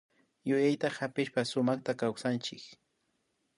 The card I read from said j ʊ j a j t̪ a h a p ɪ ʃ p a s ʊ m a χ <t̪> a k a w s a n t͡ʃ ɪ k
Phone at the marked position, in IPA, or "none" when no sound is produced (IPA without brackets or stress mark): t̪